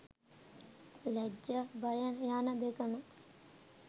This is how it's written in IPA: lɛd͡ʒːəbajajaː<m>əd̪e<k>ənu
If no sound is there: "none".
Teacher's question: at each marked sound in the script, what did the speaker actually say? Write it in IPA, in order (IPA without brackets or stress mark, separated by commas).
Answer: n, k